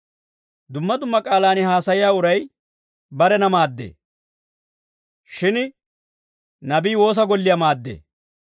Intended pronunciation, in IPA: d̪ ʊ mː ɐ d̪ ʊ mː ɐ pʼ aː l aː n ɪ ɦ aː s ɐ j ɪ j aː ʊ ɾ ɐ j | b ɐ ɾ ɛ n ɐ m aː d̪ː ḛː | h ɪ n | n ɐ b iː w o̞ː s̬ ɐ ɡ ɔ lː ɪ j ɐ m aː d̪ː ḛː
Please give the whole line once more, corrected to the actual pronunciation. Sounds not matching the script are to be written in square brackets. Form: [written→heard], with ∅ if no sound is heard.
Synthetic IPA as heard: d̪ ʊ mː ɐ d̪ ʊ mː ɐ [pʼ→kʼ] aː l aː n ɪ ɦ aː s ɐ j ɪ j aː ʊ ɾ ɐ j | b ɐ ɾ ɛ n ɐ m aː d̪ː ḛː | [h→ʃ] ɪ n | n ɐ b iː w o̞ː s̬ ɐ ɡ ɔ lː ɪ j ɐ m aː d̪ː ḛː